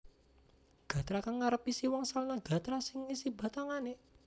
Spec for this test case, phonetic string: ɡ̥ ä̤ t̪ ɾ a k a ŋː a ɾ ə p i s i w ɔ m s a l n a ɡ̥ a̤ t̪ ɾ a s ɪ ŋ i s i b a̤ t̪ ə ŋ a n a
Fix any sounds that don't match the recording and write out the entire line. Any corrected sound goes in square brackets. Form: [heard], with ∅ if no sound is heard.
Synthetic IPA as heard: ɡ̥ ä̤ t̪ ɾ a k a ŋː a ɾ ə p i s i w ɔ [ŋ] s a l n a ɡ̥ a̤ t̪ ɾ a s ɪ ŋ i s i b a̤ t̪ [a] ŋ a n [e]